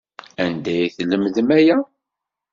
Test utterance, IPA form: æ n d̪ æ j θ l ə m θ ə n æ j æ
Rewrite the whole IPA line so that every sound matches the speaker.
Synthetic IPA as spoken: æ n d̪ æ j θ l ə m ð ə m æ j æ